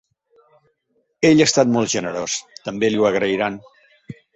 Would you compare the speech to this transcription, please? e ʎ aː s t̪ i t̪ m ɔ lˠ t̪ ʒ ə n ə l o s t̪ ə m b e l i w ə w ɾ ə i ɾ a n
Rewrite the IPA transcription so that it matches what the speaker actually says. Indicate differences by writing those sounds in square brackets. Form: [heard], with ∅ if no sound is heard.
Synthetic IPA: e ʎ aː s t̪ [a] t̪ m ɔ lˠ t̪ ʒ ə n ə [ɾ] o s t̪ ə m b e l i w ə [ɣ] ɾ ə i ɾ a n